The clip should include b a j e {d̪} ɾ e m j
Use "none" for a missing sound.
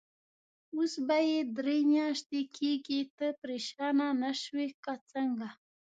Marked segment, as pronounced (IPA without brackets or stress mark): d̪